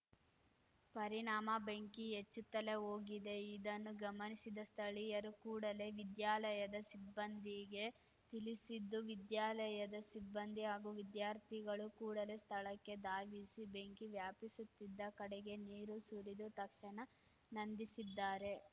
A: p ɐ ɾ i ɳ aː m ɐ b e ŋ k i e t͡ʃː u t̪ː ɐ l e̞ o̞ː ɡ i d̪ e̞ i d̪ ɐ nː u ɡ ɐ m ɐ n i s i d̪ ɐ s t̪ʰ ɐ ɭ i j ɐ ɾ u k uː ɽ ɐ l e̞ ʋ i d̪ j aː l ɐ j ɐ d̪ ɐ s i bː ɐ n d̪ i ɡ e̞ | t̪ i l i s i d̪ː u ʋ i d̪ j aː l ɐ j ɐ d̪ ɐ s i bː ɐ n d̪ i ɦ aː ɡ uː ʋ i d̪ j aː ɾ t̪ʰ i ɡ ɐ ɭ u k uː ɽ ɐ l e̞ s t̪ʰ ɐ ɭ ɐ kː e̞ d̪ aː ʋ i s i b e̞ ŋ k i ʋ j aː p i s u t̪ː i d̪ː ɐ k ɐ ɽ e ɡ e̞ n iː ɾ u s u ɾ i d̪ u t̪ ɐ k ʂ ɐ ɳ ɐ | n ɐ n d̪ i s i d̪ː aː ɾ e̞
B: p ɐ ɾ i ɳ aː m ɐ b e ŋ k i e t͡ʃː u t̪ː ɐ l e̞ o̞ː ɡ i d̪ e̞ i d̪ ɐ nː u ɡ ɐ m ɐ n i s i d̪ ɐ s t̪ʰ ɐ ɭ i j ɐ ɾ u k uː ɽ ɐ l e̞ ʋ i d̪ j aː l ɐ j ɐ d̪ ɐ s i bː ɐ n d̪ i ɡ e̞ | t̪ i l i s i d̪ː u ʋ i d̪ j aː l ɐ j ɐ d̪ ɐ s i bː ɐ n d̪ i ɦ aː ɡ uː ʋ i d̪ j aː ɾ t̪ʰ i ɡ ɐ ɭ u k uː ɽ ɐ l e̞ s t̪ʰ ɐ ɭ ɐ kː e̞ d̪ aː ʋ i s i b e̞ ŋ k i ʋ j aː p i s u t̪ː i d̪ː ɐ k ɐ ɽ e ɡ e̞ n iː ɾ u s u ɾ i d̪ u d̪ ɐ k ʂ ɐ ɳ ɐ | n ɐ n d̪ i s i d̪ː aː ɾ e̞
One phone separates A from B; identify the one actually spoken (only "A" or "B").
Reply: A